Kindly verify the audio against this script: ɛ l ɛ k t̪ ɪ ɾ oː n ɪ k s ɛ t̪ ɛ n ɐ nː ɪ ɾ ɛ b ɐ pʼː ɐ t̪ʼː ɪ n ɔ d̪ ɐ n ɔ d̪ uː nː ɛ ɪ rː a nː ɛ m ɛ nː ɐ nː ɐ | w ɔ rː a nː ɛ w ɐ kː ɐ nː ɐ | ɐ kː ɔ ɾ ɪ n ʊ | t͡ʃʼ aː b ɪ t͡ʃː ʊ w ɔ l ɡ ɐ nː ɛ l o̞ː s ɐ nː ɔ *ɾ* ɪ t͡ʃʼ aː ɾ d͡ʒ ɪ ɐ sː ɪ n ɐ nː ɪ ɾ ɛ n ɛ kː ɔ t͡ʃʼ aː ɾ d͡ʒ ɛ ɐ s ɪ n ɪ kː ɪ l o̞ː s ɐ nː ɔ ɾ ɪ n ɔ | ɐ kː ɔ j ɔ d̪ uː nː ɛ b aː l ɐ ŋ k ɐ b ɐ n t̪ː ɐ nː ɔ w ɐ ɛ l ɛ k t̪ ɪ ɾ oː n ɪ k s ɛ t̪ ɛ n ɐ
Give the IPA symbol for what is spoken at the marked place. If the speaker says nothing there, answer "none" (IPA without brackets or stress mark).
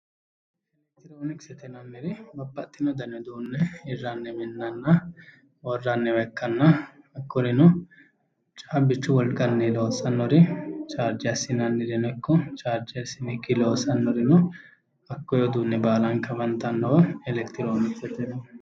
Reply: ɾ